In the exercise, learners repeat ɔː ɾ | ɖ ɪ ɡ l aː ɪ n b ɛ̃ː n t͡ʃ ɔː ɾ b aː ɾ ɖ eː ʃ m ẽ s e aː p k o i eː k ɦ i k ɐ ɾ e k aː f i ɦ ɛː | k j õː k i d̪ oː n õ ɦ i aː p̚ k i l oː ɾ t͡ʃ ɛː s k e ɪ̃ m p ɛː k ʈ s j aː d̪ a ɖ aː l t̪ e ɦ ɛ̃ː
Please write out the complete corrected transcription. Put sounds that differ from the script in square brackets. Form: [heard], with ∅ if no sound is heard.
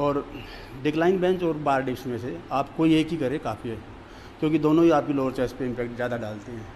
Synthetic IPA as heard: ɔː ɾ | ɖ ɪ [k] l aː ɪ n b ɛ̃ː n t͡ʃ ɔː ɾ b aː ɾ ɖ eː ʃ m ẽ s e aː p k o i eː k ɦ i k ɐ ɾ e k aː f i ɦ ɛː | k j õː k i d̪ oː n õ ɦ i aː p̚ k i l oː ɾ t͡ʃ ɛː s [p] e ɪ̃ m p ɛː k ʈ [z] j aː d̪ a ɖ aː l t̪ e ɦ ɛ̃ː